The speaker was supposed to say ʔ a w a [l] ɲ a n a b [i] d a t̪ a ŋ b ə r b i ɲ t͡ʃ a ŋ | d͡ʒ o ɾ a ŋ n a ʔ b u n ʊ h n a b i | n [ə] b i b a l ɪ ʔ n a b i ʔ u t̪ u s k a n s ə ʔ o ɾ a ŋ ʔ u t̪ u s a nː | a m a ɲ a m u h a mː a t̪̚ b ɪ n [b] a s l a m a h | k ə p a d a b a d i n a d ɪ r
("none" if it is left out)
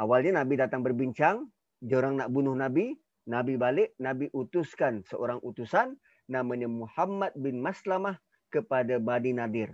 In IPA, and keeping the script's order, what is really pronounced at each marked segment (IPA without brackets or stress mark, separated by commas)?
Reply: l, i, a, m